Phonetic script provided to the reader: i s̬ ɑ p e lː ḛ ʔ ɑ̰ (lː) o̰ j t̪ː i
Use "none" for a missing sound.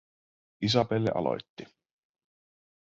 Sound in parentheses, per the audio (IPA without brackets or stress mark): l